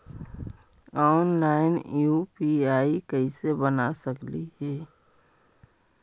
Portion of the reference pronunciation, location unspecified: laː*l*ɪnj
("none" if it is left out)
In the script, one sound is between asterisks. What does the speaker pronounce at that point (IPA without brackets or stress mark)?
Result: none